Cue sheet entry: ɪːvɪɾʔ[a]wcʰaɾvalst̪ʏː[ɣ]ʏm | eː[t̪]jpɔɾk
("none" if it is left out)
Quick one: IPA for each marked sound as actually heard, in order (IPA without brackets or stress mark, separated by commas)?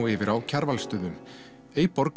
a, ð, none